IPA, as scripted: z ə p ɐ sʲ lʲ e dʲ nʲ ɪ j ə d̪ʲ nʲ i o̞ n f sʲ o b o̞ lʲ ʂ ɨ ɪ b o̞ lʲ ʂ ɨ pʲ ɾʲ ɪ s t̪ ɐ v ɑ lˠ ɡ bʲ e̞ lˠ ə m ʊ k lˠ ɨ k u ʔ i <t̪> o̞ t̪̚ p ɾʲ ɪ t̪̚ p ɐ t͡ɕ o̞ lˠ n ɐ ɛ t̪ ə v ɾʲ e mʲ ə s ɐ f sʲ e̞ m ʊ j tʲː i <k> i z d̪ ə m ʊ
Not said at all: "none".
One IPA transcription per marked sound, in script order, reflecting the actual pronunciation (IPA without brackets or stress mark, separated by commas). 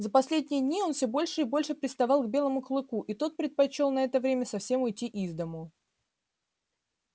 t̪, ʔ